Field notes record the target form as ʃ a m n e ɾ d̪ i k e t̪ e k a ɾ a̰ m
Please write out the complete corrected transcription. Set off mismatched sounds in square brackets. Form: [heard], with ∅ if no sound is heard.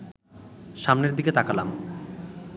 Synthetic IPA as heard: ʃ a m n e ɾ d̪ i k e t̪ [a] k a [l] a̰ m